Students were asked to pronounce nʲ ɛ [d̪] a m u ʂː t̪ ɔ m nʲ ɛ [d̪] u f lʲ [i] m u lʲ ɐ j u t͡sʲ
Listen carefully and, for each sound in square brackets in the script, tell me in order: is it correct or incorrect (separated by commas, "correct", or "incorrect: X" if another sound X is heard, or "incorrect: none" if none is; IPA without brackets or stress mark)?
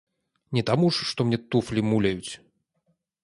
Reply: incorrect: t̪, incorrect: t̪, correct